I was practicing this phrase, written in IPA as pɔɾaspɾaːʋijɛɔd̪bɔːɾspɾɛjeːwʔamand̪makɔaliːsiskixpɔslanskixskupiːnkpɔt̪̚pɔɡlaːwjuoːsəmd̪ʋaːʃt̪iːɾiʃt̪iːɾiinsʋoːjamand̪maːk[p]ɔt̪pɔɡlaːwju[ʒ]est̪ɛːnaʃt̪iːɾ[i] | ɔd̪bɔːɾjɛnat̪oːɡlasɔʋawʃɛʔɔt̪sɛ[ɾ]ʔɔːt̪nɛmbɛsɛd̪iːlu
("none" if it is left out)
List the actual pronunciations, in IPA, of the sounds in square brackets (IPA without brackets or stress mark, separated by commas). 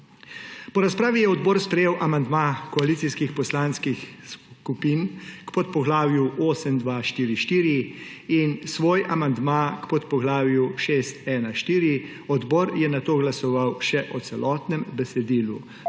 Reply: p, ʃ, i, l